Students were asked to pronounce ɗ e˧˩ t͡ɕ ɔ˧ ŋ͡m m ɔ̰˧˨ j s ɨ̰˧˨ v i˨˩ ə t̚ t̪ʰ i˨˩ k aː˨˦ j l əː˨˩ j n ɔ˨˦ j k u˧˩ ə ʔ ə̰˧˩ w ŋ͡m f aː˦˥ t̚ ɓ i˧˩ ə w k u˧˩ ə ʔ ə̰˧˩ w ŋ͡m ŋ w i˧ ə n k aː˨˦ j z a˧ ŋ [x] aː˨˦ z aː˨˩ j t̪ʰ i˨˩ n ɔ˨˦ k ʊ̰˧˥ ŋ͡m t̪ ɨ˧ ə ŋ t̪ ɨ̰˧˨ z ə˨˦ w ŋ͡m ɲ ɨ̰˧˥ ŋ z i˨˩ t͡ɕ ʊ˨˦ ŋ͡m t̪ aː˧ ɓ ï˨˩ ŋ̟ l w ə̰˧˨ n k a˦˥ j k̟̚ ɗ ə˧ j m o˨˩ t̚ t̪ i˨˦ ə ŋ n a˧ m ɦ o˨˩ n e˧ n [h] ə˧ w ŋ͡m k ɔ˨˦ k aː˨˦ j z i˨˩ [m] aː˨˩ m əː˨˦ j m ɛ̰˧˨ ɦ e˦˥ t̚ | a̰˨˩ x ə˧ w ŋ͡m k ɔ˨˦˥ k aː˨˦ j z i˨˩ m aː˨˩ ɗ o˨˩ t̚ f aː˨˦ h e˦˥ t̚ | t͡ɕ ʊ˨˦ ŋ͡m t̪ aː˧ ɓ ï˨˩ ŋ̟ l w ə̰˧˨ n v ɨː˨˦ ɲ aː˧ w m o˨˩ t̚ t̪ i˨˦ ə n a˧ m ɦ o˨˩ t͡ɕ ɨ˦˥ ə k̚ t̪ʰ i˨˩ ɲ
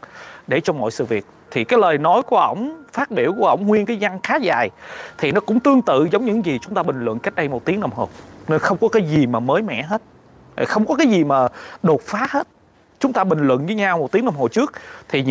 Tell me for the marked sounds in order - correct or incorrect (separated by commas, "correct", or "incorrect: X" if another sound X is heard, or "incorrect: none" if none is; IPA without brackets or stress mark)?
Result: correct, incorrect: x, correct